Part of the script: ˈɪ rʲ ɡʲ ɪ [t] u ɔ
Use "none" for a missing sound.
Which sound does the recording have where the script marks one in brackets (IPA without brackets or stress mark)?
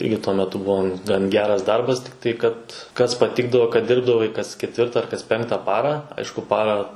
t